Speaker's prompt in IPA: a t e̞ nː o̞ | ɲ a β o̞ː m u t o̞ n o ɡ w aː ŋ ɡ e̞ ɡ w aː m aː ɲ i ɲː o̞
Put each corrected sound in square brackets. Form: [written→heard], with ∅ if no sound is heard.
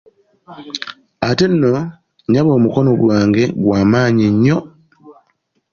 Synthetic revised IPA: a t e̞ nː o̞ | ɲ a β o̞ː m u [t→k] o̞ n o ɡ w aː ŋ ɡ e̞ ɡ w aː m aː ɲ i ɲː o̞